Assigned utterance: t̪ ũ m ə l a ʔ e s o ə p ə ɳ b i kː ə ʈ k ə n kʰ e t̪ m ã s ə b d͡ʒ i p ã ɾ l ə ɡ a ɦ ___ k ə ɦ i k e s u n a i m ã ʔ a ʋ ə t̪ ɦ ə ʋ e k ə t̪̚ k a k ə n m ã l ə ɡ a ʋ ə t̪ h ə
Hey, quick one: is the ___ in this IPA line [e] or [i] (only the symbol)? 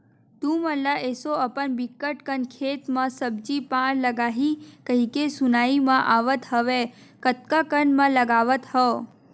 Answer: i